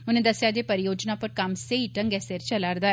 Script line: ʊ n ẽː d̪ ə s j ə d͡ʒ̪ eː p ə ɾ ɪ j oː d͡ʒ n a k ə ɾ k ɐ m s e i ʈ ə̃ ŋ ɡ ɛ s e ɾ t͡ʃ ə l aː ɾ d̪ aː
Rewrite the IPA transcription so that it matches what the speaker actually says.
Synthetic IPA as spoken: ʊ n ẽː d̪ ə s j a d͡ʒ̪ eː p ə ɾ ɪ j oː d͡ʒ n a p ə ɾ k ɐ m s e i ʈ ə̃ ŋ ɡ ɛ s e ɾ t͡ʃ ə l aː ɾ d̪ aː